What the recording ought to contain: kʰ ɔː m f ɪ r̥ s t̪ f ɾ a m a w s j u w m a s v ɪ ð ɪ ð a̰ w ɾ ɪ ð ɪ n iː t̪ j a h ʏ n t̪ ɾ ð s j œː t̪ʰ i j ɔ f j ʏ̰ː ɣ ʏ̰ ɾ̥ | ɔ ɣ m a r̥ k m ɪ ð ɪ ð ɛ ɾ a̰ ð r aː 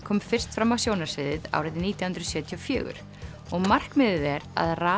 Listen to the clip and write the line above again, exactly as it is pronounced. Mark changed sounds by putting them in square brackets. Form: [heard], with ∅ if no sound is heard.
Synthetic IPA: kʰ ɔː m f ɪ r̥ s t̪ f ɾ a m a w s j [o] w [n] a s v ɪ ð ɪ ð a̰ w ɾ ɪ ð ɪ n iː t̪ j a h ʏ n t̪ ɾ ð s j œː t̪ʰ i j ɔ f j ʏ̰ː ɣ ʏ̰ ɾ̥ | ɔ ɣ m a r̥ k m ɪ ð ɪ ð ɛ ɾ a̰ ð r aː